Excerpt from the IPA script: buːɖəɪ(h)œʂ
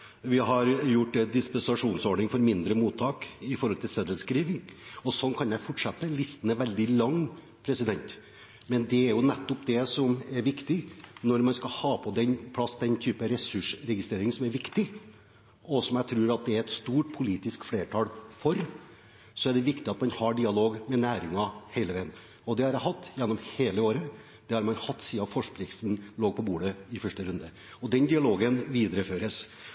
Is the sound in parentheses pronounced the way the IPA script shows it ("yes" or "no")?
no